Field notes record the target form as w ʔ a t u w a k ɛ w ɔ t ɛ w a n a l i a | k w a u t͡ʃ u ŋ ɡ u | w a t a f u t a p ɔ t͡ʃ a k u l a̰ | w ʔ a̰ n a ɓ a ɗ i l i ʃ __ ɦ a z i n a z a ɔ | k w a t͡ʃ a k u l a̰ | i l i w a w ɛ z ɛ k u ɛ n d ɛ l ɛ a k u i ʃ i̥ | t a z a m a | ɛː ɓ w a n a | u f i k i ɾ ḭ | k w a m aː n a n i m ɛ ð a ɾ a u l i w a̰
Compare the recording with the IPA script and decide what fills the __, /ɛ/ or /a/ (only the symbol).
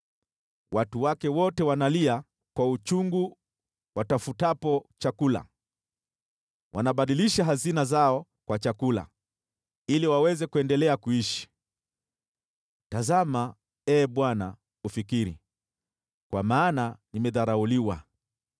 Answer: a